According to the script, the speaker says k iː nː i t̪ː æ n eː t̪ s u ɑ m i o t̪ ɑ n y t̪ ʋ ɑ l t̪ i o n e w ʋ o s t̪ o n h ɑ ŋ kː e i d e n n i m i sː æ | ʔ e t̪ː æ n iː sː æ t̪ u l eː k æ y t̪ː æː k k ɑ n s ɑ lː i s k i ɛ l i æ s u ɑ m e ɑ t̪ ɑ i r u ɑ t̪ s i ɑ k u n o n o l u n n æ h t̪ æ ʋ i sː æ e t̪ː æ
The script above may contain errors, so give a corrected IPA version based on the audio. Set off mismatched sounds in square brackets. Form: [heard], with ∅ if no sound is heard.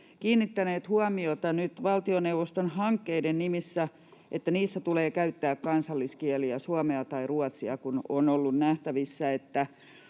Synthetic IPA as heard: k iː nː i t̪ː æ n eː t̪ [h] u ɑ m i o t̪ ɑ n y t̪ ʋ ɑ l t̪ i o n e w ʋ o s t̪ o n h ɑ ŋ kː e i d e n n i m i sː æ | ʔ e t̪ː æ n iː sː æ t̪ u l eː k æ y t̪ː æː k k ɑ n s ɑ lː i s k i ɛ l i æ s u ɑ m e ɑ t̪ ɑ i r u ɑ t̪ s i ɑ k u n o n o [lː] u n n æ h t̪ æ ʋ i sː æ e t̪ː æ

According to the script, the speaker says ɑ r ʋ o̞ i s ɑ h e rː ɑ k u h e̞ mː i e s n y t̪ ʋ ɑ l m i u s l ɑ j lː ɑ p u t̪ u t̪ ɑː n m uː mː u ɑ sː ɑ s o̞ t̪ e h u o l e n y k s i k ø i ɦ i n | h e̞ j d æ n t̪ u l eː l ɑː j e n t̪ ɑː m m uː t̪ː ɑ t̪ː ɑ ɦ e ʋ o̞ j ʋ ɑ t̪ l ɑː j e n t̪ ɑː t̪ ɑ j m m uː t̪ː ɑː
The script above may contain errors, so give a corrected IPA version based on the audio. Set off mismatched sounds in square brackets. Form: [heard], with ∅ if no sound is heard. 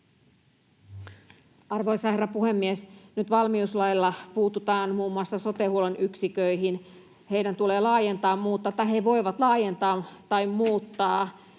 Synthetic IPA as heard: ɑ r ʋ o̞ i s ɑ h e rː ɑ [p] u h e̞ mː i e s n y t̪ ʋ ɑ l m i u s l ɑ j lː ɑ p [uː] t̪ u t̪ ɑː n m uː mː u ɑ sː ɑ s o̞ t̪ e h u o l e n y k s i k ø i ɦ i n | h e̞ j d æ n t̪ u l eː l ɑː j e n t̪ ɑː m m uː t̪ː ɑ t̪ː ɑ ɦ e ʋ o̞ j ʋ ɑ t̪ l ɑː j e n t̪ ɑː t̪ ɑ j m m uː t̪ː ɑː

